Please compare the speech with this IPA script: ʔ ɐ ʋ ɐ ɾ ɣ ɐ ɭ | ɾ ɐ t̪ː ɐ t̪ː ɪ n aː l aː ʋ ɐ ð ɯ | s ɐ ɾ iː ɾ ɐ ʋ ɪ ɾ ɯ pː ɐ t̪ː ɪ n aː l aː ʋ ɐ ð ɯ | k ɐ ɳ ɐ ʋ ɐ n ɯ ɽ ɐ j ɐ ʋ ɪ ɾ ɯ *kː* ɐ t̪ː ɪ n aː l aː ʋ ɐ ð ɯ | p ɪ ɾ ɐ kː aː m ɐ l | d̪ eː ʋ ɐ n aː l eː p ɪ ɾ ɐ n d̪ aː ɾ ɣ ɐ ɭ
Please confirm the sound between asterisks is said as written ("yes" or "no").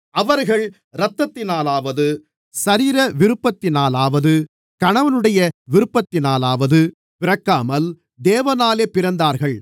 no